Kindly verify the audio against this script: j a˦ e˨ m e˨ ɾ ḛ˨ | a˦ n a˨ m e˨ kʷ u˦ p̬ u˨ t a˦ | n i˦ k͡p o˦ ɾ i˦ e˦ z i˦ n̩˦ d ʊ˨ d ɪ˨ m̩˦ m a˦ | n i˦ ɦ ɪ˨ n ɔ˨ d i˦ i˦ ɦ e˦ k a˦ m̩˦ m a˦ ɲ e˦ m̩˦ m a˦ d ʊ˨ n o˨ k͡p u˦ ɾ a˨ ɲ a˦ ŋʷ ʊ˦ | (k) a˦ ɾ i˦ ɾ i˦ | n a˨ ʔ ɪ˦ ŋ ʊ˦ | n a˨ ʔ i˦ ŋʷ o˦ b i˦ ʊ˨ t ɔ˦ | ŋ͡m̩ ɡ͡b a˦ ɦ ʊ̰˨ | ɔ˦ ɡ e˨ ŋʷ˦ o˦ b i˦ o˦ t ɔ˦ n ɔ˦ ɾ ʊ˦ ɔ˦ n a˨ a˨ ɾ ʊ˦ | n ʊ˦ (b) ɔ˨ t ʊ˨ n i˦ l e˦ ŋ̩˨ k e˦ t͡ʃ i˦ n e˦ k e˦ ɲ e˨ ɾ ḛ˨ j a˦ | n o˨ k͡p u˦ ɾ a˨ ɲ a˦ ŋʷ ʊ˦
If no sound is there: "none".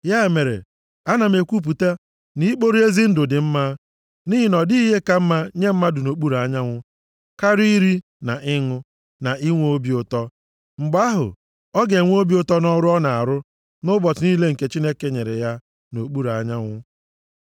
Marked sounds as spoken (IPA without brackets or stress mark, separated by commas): k, b